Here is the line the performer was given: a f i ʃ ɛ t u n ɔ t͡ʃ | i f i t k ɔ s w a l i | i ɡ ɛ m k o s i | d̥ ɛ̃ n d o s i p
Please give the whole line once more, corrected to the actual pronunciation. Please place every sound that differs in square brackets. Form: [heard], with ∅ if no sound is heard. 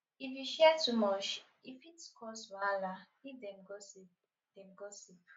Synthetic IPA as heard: [i] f i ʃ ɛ t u [m] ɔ t͡ʃ | i f i t k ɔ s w a l [a] | i [d] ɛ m [ɡ] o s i | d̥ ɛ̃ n [ɡ] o s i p